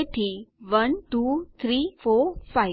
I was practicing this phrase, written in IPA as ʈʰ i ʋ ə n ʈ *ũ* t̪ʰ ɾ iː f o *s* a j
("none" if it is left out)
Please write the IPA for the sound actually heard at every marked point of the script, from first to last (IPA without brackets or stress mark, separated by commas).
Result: u, f